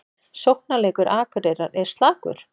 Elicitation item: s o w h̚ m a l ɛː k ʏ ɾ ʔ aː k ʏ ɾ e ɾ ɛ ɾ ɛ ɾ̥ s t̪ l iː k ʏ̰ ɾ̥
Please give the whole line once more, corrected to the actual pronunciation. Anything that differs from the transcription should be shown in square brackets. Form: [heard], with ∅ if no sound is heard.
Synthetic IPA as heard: s o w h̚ [n] a l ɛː k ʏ ɾ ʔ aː k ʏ ɾ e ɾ [a] ɾ ɛ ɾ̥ s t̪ l [aː] k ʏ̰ ɾ̥